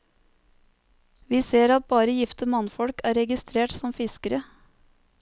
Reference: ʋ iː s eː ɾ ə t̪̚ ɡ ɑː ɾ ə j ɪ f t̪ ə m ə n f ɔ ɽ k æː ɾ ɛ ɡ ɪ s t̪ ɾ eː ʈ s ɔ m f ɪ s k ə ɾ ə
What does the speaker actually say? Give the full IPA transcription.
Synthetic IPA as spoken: ʋ iː s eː ɾ ɑ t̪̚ b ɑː ɾ ə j ɪ f t̪ ə m ɑ n f ɔ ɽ k æː ɾ ɛ ɡ ɪ s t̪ ɾ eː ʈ s ɔ m f ɪ s k ə ɾ ə